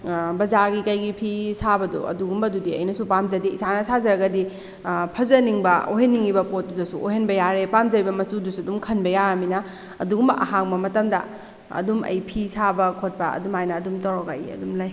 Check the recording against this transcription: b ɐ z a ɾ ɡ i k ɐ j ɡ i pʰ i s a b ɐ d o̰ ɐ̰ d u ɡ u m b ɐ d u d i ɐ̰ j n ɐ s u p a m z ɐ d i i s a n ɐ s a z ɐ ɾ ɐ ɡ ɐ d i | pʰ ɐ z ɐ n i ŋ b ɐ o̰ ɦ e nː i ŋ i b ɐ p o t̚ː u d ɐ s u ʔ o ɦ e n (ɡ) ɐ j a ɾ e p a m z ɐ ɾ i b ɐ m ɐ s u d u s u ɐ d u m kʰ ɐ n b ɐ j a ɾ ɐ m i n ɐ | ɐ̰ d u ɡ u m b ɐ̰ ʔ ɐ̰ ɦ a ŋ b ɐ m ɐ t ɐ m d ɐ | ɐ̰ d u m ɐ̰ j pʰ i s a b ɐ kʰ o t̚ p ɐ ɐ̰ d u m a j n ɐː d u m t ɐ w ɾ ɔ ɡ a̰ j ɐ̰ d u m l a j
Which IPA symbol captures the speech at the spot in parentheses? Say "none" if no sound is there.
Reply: b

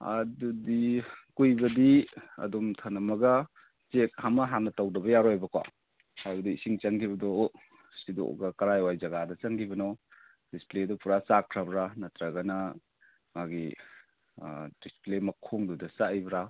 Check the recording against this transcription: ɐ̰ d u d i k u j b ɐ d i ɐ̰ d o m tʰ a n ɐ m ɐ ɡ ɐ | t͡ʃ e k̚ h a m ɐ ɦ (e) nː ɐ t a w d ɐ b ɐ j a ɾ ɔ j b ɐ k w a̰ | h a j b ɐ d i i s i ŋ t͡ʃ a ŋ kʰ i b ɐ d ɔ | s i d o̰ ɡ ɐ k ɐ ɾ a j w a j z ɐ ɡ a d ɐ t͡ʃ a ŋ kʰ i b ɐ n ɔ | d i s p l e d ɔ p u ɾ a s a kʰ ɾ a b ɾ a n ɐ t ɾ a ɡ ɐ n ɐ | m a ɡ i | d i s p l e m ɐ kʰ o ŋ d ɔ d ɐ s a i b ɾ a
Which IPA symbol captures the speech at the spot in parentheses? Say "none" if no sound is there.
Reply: a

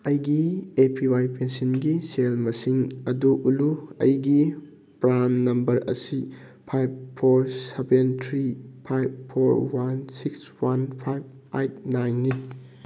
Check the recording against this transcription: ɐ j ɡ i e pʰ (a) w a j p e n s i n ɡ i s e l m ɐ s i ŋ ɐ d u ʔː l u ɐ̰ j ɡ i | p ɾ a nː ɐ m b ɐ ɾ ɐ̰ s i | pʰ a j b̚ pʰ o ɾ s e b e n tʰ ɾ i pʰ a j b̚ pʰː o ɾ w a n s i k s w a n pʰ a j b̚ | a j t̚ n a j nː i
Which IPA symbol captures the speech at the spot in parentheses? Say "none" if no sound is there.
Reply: i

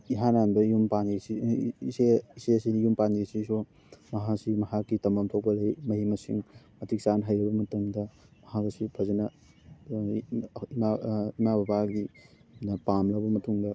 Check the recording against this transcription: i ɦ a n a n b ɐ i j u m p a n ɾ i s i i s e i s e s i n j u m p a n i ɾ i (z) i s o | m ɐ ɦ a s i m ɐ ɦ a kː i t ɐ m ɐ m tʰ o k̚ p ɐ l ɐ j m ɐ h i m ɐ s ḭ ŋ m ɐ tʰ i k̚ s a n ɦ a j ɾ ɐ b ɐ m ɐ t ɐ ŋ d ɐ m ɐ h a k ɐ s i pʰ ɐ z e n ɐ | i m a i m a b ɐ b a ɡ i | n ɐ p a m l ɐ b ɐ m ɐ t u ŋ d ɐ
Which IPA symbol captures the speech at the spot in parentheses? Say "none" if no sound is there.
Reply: s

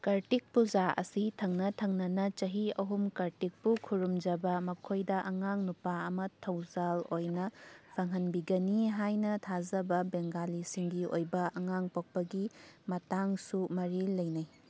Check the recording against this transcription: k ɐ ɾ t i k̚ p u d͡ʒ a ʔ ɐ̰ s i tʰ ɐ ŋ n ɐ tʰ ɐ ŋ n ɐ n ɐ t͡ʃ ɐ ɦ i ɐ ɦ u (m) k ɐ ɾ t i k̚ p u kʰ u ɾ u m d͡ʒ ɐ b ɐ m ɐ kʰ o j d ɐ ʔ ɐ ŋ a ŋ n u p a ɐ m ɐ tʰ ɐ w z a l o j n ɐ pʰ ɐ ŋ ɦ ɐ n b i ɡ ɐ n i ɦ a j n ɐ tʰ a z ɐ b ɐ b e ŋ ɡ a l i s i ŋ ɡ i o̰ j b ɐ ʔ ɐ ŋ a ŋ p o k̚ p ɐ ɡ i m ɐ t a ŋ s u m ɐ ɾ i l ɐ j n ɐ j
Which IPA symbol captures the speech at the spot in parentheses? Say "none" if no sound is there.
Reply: m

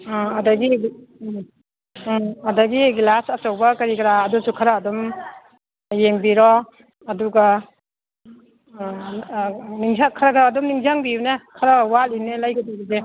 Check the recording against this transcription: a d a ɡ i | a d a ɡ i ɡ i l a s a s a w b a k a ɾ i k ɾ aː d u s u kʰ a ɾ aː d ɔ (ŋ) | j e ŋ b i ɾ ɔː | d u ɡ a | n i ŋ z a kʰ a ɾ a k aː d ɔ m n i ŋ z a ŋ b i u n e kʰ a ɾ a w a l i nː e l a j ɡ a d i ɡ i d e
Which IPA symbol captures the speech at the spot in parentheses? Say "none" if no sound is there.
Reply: m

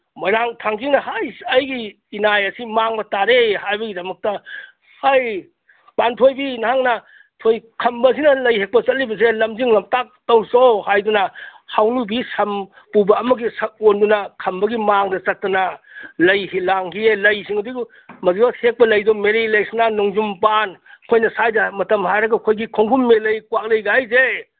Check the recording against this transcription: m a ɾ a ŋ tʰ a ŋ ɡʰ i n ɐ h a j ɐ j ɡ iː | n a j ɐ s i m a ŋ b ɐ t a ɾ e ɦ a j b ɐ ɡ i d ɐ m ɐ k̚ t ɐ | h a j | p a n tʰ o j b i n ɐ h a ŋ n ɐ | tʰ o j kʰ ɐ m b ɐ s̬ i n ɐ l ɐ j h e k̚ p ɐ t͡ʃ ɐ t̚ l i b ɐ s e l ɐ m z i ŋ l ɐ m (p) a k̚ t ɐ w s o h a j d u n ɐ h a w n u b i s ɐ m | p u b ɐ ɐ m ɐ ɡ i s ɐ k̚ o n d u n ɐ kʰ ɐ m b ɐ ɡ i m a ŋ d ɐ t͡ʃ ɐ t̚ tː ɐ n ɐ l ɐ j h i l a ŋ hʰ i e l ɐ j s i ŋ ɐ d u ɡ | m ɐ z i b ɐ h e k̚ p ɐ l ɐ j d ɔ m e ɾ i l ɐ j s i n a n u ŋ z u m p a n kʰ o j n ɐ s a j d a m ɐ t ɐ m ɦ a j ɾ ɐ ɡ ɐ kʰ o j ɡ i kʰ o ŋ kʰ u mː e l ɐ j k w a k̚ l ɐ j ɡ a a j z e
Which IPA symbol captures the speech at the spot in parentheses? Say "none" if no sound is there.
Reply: t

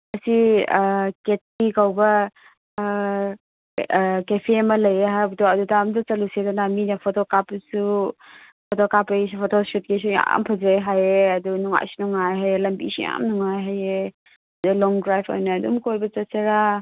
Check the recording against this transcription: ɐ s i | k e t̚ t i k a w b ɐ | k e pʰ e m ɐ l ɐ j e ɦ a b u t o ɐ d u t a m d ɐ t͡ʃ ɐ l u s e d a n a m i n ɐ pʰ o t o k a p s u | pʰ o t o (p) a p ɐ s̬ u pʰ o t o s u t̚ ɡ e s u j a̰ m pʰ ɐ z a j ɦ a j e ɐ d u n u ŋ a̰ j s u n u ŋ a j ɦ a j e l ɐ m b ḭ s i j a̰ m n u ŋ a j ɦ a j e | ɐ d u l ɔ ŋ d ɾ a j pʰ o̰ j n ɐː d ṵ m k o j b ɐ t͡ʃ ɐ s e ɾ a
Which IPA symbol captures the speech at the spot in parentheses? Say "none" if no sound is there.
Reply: k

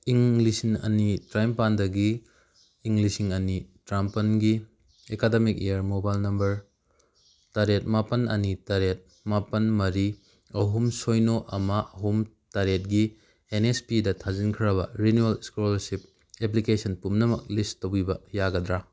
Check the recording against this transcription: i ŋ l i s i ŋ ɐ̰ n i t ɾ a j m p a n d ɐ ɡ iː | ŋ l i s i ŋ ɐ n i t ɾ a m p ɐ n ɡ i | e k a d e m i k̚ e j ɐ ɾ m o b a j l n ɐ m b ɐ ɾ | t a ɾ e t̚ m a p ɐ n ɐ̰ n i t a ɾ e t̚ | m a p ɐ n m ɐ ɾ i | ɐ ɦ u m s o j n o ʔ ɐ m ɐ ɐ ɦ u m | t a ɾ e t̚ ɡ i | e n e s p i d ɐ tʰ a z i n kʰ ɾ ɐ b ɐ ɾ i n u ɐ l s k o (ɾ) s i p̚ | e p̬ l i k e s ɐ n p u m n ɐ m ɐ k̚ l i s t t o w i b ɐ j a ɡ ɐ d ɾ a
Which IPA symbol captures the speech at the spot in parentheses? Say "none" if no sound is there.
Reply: l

